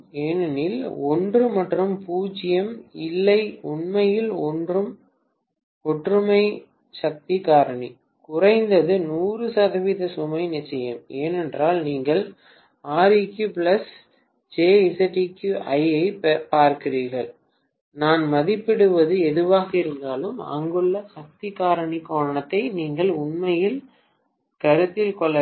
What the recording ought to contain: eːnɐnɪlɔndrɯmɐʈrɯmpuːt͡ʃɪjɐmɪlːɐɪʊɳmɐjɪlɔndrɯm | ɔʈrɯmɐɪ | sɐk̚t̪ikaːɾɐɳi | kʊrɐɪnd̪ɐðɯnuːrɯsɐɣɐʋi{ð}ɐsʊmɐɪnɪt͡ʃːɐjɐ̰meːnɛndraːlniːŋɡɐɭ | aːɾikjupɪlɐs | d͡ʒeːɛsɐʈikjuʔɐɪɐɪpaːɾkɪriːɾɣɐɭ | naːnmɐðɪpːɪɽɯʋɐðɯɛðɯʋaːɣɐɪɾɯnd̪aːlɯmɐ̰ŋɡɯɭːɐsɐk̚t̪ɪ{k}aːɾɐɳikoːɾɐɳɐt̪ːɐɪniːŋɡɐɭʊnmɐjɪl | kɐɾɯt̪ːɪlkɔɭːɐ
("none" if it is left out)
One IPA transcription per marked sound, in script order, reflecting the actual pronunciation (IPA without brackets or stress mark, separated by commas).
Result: ð, k